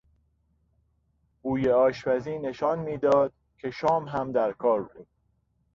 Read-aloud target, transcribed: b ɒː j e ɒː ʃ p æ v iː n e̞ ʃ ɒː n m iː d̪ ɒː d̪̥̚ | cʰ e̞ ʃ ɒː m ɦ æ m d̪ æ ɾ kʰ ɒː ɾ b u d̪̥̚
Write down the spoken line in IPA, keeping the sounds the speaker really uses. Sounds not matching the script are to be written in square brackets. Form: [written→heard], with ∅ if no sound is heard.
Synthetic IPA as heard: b [ɒː→uː] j e ɒː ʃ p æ [v→z] iː n e̞ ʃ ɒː n m iː d̪ ɒː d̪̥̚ | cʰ e̞ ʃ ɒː m ɦ æ m d̪ æ ɾ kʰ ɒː ɾ b u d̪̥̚